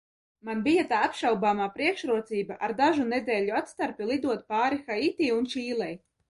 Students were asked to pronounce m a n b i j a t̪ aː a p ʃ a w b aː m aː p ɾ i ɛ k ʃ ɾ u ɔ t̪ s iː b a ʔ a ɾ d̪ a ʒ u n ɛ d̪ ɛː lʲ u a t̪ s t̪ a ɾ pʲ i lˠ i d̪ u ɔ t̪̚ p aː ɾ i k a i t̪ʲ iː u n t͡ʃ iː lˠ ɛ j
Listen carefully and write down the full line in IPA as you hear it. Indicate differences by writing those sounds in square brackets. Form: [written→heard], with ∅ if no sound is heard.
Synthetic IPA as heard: m a n b i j a t̪ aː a p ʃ a w b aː m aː p ɾ i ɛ k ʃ ɾ u ɔ t̪ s iː b a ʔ a ɾ d̪ a ʒ u n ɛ d̪ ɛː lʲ u a t̪ s t̪ a ɾ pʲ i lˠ i d̪ u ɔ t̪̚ p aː ɾ i [k→x] a i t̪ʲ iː u n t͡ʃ iː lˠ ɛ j